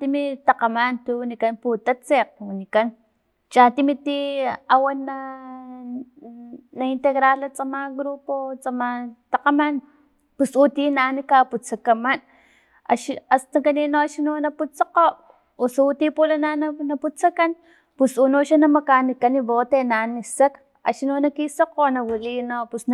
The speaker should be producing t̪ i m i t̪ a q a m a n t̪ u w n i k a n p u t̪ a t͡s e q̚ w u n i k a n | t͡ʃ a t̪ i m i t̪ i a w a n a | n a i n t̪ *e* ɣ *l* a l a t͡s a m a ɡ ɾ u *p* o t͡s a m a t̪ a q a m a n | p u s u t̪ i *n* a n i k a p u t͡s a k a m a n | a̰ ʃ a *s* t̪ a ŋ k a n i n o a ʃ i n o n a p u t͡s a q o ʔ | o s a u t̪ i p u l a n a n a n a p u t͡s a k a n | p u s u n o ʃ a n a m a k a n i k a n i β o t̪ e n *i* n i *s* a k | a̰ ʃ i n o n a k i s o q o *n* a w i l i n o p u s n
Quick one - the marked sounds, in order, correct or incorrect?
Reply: correct, incorrect, correct, correct, correct, incorrect, correct, correct

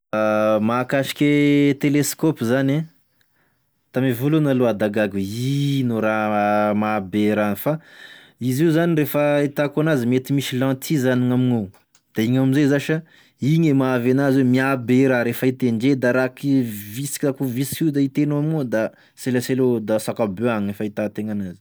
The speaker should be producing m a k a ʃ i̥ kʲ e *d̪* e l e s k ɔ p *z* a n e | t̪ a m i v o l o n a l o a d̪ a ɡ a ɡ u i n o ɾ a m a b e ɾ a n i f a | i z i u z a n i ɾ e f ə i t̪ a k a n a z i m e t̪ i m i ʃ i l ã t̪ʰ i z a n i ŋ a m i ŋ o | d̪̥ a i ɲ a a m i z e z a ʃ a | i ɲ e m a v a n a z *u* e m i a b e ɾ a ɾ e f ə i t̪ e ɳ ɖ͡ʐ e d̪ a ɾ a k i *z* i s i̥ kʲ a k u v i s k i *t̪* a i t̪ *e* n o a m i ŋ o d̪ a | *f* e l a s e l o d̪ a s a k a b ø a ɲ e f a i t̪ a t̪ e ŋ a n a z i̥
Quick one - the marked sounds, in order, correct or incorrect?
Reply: incorrect, correct, incorrect, incorrect, incorrect, correct, incorrect

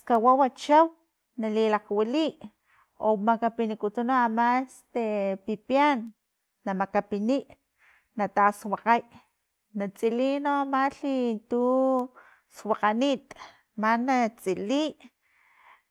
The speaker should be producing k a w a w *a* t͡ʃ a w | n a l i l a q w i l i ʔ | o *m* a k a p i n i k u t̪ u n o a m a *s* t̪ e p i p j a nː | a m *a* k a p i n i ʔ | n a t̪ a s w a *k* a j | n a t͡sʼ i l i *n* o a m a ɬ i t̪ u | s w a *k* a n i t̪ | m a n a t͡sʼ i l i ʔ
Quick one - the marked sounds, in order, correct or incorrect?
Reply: correct, correct, correct, correct, incorrect, correct, incorrect

